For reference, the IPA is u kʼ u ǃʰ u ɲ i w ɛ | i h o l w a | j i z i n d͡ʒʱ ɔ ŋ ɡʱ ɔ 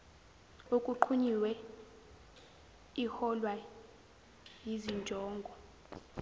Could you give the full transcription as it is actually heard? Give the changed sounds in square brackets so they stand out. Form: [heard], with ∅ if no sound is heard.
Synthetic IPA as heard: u kʼ u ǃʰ u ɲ i w ɛ | i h [ɔ] l w a | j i z i n d͡ʒʱ [ɔː] ŋ ɡʱ ɔ